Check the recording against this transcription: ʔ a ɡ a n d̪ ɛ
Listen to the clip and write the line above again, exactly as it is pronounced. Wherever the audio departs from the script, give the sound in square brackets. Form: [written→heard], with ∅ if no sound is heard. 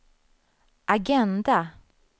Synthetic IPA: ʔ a ɡ [a→ɛ] n d̪ [ɛ→a]